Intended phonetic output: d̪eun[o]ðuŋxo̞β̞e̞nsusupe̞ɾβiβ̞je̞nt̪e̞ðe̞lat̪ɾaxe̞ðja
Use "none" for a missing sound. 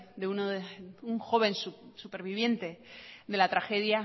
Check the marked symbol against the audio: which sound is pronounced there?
o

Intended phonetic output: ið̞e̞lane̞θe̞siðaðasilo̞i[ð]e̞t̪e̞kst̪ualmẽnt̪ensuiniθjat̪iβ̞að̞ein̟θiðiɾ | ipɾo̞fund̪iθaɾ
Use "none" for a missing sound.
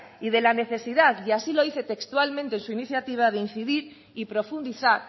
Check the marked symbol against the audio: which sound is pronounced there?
θ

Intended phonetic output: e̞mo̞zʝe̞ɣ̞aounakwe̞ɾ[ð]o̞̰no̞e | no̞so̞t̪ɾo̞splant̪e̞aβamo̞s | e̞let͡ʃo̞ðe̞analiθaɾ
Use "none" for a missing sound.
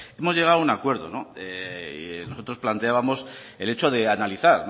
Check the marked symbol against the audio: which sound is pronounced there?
ð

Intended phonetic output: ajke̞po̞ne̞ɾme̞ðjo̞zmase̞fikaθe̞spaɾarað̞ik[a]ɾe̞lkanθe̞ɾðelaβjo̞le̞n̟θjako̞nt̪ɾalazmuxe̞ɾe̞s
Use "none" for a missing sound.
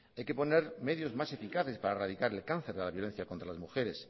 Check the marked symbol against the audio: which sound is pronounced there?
a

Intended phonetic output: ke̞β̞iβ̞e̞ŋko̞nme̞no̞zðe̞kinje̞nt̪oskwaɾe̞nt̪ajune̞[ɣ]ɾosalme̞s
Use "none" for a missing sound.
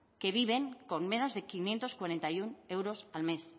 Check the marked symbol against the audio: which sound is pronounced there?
w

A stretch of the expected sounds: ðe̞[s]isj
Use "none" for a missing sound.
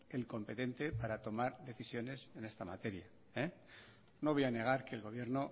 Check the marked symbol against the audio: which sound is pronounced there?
θ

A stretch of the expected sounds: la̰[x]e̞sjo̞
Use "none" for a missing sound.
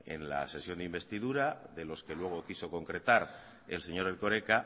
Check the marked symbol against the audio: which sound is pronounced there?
s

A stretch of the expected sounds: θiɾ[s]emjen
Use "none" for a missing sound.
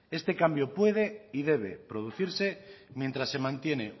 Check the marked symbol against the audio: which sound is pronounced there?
s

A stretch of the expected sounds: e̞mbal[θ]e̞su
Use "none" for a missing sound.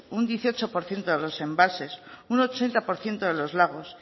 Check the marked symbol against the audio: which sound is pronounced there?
s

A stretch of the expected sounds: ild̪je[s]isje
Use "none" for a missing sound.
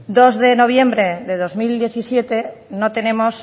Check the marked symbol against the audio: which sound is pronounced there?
θ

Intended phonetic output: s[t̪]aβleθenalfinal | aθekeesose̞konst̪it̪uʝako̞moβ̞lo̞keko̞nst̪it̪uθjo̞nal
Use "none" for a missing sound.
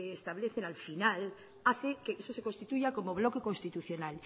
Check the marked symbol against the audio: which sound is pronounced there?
t̪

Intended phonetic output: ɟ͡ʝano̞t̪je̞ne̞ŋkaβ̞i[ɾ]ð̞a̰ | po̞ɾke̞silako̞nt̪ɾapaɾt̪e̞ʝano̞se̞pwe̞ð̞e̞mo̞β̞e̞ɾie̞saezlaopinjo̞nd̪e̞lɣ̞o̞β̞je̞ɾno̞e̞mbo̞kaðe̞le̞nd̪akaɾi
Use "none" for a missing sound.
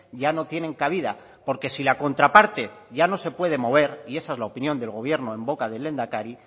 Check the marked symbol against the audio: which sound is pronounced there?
none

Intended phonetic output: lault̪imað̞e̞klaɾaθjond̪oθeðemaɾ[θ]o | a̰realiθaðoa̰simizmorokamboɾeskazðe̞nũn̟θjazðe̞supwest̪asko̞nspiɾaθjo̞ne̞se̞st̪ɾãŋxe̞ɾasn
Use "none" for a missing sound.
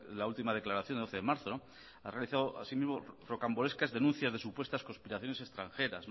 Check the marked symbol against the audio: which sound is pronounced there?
θ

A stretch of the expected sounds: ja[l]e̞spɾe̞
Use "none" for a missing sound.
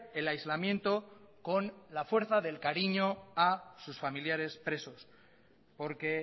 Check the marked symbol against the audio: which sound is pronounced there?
ɾ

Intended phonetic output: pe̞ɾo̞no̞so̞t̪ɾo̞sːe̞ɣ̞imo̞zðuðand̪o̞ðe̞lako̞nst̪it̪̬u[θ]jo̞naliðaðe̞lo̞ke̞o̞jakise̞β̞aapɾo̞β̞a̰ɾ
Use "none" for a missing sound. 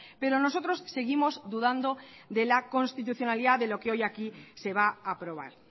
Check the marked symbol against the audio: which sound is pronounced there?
θ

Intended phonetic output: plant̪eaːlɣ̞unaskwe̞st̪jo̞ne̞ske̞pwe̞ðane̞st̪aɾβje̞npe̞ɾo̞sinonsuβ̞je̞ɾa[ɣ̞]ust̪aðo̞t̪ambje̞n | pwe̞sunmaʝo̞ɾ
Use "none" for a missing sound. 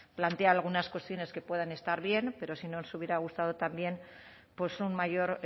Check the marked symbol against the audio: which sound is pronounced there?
ɣ̞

